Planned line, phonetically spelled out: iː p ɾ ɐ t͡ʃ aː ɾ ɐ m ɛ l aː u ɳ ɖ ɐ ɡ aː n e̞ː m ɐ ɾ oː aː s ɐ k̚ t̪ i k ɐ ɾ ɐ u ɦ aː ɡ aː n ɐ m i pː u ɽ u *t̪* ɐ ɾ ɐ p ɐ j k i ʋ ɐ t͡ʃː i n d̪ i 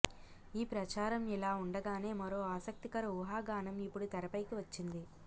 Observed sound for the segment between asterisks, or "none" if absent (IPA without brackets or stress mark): t̪